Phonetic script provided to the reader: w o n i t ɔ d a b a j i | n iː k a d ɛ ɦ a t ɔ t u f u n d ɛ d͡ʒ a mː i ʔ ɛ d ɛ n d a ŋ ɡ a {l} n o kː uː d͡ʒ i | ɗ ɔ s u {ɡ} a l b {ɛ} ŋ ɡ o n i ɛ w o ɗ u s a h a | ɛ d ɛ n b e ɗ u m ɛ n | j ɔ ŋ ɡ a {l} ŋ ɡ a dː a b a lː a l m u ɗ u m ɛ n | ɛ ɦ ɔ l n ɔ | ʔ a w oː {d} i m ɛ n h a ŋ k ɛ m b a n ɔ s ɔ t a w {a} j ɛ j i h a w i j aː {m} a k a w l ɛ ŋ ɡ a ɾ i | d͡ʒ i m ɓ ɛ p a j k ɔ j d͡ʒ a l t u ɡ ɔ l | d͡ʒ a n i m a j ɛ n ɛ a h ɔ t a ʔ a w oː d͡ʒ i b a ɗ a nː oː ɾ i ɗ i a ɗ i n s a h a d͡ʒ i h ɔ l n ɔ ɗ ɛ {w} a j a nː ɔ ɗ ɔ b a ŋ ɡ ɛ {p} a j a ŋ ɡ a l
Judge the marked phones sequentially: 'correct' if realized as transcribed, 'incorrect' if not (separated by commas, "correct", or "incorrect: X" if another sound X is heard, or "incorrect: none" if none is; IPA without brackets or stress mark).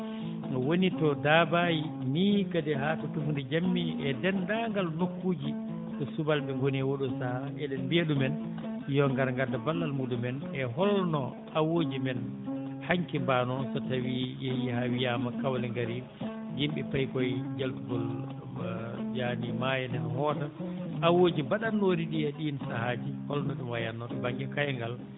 correct, incorrect: b, correct, incorrect: ɾ, incorrect: d͡ʒ, incorrect: i, correct, correct, incorrect: k